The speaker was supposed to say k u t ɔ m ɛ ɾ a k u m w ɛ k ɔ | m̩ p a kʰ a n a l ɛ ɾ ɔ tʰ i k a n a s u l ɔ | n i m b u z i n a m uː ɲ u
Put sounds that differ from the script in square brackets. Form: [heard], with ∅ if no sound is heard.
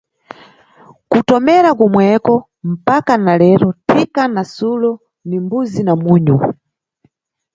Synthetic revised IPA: k u t ɔ m ɛ ɾ a k u m w ɛ k ɔ | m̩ p a [k] a n a l ɛ ɾ ɔ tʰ i k a n a s u l ɔ | n i m b u z i n a m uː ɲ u